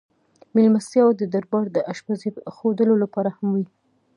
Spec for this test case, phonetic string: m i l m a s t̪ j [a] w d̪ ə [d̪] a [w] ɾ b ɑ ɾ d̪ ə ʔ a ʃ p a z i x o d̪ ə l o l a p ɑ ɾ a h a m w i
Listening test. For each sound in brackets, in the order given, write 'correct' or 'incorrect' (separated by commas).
incorrect, correct, incorrect